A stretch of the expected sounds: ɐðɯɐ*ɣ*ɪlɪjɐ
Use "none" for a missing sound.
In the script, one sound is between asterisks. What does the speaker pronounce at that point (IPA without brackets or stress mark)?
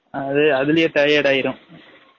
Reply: ð